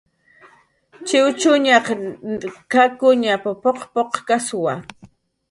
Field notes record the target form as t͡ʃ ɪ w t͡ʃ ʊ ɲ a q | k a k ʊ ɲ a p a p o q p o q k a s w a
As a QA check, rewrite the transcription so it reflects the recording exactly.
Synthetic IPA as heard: t͡ʃ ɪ w t͡ʃ ʊ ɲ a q | k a k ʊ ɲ a p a p o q p o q k a s w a